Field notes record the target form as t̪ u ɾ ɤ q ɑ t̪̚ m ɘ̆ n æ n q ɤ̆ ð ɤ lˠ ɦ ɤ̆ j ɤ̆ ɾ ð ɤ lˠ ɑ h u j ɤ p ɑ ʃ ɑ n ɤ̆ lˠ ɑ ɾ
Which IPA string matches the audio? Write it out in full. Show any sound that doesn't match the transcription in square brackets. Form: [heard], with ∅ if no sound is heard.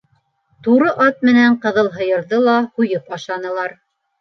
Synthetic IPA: t̪ u ɾ ɤ [ʔ] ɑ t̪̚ m ɘ̆ n æ [ɴ] q ɤ̆ ð ɤ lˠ ɦ ɤ̆ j ɤ̆ ɾ ð ɤ lˠ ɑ h u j ɤ p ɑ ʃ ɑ n ɤ̆ lˠ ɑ ɾ

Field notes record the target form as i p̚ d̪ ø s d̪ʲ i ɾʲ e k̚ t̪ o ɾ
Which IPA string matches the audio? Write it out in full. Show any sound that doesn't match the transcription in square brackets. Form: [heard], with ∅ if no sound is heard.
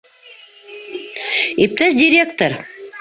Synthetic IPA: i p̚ [t̪] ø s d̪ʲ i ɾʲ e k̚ t̪ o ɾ

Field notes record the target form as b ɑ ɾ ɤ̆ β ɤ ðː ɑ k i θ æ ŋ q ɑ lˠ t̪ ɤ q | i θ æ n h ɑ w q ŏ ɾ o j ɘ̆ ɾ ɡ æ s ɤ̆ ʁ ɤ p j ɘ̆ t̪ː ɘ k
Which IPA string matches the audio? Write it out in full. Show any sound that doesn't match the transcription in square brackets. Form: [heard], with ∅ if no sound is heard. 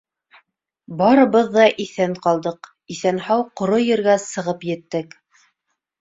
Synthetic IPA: b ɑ ɾ ɤ̆ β ɤ ðː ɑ [ʔ] i θ æ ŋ q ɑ lˠ [d̪] ɤ q | i θ æ n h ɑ w q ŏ ɾ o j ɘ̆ ɾ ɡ æ s ɤ̆ ʁ ɤ p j ɘ̆ t̪ː ɘ k

